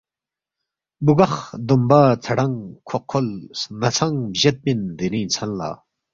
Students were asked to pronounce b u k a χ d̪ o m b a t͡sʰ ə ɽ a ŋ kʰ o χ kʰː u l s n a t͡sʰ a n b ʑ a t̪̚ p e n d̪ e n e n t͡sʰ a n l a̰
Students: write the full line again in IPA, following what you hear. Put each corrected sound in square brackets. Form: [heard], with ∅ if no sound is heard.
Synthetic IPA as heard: b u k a χ d̪ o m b a t͡sʰ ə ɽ a ŋ kʰ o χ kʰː [o] l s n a t͡sʰ a [ŋ] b ʑ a t̪̚ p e n d̪ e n [i] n t͡sʰ a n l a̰